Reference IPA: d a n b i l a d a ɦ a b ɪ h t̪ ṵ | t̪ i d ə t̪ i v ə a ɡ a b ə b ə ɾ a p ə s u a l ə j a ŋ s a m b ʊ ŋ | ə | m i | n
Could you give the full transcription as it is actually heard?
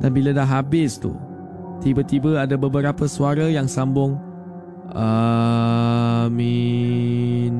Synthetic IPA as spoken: d a n b i l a d a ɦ a b ɪ s t̪ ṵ | t̪ i b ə t̪ i b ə a d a b ə b ə ɾ a p ə s u a ɾ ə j a ŋ s a m b ʊ ŋ | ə | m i | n